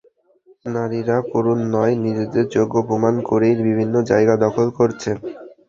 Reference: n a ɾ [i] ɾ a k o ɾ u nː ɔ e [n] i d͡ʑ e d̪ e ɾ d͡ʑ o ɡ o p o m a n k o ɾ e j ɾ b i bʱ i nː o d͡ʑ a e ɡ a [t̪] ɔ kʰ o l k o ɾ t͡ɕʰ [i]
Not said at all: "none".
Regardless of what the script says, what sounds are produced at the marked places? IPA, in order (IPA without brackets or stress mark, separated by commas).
i, n, d̪, e